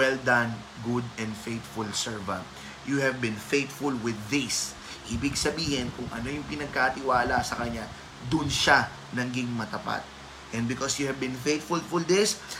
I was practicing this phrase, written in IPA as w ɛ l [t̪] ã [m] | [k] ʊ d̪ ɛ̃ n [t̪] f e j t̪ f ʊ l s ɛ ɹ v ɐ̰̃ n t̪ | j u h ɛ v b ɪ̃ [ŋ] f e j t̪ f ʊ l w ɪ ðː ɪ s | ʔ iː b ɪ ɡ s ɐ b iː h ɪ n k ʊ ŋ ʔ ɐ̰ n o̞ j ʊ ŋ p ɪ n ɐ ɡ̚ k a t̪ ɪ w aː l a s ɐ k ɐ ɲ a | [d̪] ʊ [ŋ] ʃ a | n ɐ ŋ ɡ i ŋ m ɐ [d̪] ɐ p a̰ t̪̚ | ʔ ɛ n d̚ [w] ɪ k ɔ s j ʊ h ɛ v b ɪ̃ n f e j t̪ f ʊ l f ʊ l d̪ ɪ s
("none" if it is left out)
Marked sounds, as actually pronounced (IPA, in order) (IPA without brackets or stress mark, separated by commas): d̪, n, ɡ, d̪, n, d̪, n, t̪, b